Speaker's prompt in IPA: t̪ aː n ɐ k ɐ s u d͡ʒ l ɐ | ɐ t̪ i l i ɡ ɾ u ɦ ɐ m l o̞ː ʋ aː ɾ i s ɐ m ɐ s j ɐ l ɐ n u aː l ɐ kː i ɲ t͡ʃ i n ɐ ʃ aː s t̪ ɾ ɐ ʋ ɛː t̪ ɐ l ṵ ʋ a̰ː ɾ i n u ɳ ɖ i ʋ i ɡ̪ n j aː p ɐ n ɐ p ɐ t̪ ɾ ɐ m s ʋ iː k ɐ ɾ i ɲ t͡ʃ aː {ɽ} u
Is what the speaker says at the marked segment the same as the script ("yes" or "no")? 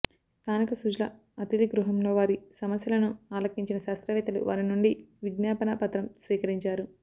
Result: no